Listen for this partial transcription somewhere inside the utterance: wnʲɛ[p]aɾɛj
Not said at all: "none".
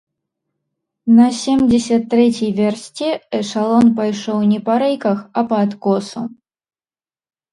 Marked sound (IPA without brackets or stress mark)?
p